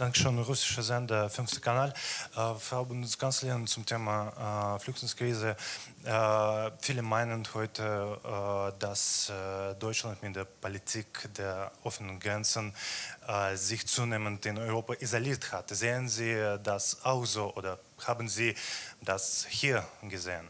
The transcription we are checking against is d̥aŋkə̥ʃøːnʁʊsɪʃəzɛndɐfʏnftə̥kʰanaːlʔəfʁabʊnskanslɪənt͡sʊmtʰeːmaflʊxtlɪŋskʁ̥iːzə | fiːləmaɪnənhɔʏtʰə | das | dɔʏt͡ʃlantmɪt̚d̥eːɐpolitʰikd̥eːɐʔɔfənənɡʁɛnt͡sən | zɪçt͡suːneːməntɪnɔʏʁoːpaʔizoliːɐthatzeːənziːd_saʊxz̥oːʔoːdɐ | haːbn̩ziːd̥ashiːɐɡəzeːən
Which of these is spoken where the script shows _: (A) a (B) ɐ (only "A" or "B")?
A